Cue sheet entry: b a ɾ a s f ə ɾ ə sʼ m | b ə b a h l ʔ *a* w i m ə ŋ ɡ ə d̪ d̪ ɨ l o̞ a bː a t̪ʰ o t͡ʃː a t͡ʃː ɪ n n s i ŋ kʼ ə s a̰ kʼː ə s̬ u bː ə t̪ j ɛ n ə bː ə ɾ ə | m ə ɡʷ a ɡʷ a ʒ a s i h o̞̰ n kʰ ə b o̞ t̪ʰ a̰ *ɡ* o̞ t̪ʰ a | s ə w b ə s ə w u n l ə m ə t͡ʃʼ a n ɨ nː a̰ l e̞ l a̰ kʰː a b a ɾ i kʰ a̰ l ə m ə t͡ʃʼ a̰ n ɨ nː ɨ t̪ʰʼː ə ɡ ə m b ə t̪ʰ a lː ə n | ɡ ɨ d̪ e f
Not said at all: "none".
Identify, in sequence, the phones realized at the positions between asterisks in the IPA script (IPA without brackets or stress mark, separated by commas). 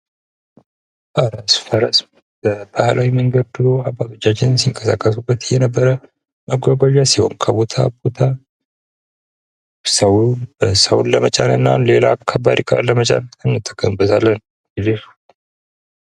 a, b